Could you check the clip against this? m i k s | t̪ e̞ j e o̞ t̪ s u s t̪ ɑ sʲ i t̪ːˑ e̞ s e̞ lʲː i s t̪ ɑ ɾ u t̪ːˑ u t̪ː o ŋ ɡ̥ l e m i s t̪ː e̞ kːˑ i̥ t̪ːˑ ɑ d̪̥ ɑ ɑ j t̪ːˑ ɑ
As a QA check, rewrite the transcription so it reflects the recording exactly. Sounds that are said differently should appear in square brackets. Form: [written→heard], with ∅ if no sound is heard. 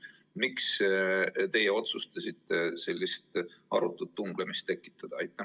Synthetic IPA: m i k s | t̪ e̞ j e o̞ t̪ s u s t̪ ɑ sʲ i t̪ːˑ e̞ s e̞ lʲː i s t̪ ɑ ɾ u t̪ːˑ u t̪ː [o→u] ŋ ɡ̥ l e m i s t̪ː e̞ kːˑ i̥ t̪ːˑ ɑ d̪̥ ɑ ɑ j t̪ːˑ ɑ

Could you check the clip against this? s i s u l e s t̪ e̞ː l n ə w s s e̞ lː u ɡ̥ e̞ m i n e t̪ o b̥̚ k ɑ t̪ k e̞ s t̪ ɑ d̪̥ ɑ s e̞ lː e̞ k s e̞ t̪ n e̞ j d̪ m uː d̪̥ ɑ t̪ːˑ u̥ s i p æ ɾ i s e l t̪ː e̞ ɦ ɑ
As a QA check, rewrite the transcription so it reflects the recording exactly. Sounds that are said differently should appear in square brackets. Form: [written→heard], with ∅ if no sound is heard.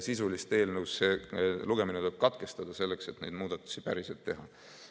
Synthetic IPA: s i s u l [e→i] s t̪ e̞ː l n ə w s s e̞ [lː→l] u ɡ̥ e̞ m i n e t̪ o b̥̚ k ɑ t̪ k e̞ s t̪ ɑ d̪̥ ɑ s e̞ lː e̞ k s e̞ t̪ n e̞ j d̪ m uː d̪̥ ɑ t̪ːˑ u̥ s i p æ ɾ i s e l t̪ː e̞ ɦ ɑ

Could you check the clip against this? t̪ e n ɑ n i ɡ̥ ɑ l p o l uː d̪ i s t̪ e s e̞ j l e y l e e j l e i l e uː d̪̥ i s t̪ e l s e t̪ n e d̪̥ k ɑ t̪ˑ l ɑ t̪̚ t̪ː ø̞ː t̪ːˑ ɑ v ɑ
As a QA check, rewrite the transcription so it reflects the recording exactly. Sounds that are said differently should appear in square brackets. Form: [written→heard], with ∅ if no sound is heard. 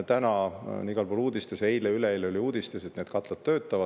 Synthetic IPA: t̪ [e→æ] n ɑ n i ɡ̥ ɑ l p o l uː d̪ i s t̪ e s e̞ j l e y l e e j l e [i→y] l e uː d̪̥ i s t̪ e [l→∅] s e t̪ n e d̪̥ k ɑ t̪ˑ l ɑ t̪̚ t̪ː ø̞ː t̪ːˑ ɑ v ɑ

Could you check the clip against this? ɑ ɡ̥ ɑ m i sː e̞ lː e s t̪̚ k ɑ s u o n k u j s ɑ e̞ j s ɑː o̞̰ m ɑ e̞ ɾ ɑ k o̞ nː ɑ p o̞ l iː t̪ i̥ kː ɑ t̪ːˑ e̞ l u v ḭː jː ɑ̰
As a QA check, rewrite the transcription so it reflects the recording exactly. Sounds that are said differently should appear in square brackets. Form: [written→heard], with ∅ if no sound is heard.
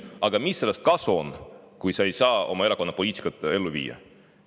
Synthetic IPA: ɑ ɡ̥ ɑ m i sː e̞ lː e s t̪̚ k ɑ s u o n k u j s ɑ e̞ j s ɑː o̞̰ m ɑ e̞ ɾ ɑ k o̞ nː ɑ p o̞ l iː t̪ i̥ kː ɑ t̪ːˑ e̞ [l→lː] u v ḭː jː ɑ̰

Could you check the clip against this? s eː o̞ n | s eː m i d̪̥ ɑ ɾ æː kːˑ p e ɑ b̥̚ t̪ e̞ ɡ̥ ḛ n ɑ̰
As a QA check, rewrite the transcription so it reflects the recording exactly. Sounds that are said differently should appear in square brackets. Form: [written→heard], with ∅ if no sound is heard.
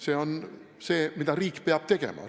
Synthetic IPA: s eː o̞ n | s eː m i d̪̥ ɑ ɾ [æː→iː] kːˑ p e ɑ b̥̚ t̪ e̞ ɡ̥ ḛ [n→m] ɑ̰

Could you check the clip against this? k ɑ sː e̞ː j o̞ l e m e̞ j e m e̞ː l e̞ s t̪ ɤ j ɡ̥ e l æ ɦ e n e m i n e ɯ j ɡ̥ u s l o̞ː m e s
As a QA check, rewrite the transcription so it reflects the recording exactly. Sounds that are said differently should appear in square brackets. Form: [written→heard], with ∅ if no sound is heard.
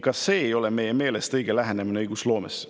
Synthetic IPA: k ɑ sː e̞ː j o̞ l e m e̞ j e m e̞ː l e̞ s t̪ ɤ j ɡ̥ e l æ ɦ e n e m i n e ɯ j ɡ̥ u s l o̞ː m e s

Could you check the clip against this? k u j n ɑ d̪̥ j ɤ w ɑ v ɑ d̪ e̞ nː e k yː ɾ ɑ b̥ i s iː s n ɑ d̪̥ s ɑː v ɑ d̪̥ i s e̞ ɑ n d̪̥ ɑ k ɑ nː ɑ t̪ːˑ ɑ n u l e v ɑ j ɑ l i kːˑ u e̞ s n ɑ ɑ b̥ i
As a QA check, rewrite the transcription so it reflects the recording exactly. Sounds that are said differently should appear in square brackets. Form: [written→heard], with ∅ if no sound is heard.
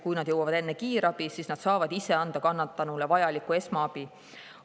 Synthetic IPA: k u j n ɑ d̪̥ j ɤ w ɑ v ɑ d̪ e̞ nː e k [yː→iː] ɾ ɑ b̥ i s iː s n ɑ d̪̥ s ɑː v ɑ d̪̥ i s e̞ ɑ n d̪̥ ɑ k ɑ nː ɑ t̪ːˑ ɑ n u l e v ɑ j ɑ l i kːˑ u e̞ s [n→m] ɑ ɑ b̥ i

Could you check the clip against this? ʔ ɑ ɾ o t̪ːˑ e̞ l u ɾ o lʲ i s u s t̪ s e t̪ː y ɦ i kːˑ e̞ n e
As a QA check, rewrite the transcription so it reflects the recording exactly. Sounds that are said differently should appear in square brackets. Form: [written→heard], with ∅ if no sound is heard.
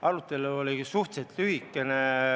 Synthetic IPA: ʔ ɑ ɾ [o→u] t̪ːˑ e̞ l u [ɾ→∅] o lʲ i s u [s→h] t̪ s e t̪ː y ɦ i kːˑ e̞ n e

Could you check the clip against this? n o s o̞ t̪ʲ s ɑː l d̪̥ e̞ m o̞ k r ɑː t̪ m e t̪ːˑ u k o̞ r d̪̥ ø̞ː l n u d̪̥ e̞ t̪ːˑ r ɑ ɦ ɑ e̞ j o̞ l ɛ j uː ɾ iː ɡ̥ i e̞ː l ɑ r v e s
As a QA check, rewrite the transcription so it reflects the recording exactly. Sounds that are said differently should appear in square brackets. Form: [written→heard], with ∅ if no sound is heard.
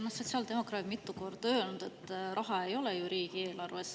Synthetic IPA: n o s o̞ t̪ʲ s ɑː l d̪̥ e̞ m o̞ k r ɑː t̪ m [e→i] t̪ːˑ u k o̞ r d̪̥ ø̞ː l n u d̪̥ e̞ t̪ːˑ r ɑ ɦ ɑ e̞ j o̞ l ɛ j [uː→u] ɾ iː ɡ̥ i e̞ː l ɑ r v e s

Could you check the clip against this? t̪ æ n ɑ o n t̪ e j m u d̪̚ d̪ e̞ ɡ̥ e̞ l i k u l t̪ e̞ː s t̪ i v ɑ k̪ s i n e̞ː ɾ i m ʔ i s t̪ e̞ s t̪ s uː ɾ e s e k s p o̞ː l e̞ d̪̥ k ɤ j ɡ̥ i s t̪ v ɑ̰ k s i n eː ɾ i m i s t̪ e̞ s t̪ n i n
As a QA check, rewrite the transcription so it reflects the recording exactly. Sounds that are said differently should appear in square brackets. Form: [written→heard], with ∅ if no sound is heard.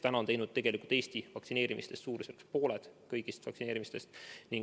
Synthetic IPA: t̪ æ n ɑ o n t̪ e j [m→n] u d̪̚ [d̪→t̪] e̞ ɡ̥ e̞ l i k u l t̪ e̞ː s t̪ i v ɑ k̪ s i n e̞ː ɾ i m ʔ i s t̪ e̞ s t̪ s uː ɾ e s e k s p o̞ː l e̞ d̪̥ k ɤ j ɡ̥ i s t̪ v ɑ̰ k s i n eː ɾ i m i s t̪ e̞ s t̪ n i [n→ŋ]

